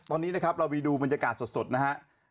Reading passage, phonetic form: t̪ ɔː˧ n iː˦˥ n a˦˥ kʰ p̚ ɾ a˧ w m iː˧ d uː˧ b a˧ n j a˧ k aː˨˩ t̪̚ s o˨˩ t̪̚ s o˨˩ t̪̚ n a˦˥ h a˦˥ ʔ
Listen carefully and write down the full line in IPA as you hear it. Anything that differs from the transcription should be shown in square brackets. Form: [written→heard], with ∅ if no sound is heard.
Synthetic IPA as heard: t̪ ɔː˧ n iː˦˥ n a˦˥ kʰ p̚ ɾ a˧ w m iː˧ d uː˧ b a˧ n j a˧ k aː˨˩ t̪̚ s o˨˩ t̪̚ s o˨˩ t̪̚ n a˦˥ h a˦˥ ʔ